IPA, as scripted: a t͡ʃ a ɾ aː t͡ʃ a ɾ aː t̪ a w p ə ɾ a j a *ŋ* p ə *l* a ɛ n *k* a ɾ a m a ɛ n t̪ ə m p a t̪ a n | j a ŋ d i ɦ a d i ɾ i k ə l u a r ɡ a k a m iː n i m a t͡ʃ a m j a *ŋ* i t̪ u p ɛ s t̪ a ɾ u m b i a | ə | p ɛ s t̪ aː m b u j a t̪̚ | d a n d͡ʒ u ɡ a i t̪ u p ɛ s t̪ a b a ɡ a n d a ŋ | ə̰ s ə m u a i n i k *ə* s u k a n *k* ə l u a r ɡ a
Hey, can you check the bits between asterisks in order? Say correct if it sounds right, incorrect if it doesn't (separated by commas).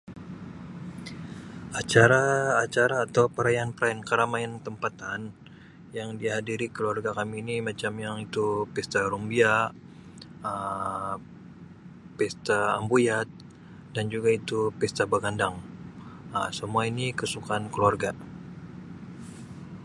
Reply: incorrect, incorrect, correct, correct, correct, correct